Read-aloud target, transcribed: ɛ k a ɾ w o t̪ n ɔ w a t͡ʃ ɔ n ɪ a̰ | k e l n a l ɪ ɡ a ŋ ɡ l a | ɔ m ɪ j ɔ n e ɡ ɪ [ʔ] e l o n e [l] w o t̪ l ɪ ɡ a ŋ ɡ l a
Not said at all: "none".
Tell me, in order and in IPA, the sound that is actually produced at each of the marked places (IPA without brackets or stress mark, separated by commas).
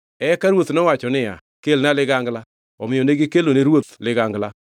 k, ɾ